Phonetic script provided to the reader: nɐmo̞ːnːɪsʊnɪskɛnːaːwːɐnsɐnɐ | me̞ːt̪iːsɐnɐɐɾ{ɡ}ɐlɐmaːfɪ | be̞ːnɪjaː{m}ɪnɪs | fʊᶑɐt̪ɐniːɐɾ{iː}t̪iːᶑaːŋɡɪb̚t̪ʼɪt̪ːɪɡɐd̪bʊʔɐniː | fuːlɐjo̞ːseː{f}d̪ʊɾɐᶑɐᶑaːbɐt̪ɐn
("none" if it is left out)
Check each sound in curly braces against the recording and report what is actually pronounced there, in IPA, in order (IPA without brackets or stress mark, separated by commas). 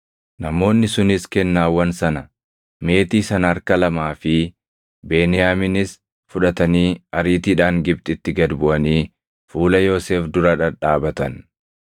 k, m, iː, f